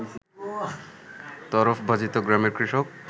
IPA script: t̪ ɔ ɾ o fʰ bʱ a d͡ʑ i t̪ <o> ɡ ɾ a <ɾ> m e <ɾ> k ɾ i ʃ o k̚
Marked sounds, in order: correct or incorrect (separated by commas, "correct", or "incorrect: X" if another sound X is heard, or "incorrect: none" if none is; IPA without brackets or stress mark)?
correct, incorrect: none, correct